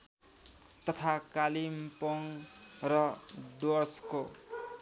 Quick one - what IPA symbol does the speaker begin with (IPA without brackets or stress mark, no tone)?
t̪